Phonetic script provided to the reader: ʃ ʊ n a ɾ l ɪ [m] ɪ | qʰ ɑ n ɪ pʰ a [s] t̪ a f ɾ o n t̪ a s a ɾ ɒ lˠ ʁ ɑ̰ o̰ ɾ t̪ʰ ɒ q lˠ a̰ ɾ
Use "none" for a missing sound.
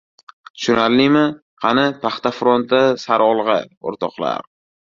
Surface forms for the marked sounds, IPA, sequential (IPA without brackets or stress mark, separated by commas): m, χ